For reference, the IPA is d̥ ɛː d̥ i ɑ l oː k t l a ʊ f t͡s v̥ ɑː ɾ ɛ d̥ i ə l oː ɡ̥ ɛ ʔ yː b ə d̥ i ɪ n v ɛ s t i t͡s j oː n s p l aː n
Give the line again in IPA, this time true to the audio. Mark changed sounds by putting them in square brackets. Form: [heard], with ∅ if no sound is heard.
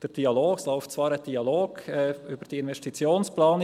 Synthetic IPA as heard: d̥ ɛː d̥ i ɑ l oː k [s] l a ʊ f t͡s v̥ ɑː ɾ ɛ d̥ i [ɑ] l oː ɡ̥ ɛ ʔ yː b ə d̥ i ɪ n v ɛ s t i t͡s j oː n s p l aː n